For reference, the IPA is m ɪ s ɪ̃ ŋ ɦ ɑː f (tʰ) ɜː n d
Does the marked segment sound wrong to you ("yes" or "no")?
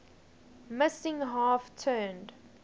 no